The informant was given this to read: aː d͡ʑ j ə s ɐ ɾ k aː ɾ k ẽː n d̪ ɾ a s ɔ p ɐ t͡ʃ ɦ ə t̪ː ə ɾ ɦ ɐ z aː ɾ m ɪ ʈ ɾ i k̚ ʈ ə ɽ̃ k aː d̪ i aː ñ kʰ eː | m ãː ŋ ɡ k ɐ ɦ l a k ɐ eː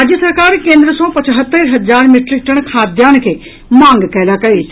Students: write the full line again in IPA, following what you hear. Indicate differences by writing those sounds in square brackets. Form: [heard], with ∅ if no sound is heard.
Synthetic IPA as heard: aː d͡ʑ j ə s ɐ ɾ k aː ɾ k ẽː n d̪ ɾ [ə] s ɔ p ɐ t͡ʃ ɦ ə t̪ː ə ɾ ɦ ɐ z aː ɾ m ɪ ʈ ɾ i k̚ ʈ ə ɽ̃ [kʰ] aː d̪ [j] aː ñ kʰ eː | m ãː ŋ ɡ k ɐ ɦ l a k ɐ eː